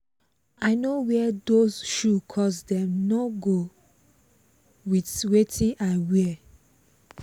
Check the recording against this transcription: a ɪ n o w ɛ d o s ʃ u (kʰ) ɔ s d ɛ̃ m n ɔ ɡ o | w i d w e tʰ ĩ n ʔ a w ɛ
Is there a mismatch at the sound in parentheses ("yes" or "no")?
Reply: no